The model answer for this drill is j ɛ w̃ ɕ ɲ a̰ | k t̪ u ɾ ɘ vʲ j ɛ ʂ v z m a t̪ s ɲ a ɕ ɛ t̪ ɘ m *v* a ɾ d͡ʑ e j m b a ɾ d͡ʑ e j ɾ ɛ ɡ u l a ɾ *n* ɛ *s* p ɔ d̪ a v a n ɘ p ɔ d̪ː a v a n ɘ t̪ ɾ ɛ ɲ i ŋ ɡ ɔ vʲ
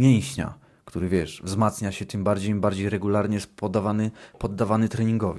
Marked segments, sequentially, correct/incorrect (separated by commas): incorrect, incorrect, correct